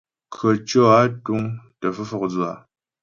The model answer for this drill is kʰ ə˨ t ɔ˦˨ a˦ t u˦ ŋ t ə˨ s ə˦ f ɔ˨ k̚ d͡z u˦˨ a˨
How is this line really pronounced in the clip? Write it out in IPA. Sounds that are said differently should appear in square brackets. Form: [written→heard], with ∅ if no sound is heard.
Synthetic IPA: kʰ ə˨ [t→t͡ʃ] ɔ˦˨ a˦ t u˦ ŋ t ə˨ [s→f] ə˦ f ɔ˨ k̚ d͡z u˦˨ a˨